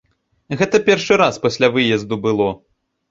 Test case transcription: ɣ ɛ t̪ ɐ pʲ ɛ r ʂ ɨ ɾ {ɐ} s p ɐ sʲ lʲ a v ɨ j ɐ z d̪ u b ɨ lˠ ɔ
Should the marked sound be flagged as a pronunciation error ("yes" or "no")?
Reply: yes